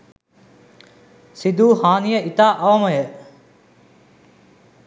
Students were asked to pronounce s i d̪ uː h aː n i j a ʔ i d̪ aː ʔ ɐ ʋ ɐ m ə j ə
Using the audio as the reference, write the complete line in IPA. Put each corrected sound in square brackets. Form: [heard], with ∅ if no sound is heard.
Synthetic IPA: s i d̪ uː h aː n i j [ə] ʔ i [t̪] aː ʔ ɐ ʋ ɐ m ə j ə